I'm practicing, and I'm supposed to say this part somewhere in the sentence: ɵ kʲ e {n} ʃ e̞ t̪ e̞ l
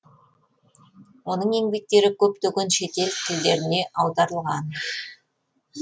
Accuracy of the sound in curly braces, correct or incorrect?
correct